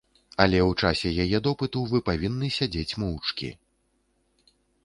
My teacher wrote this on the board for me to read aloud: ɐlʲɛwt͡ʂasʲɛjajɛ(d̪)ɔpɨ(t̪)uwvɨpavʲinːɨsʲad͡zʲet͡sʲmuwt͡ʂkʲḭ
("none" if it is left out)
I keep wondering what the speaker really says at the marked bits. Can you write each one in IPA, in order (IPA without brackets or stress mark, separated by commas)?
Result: d̪, t̪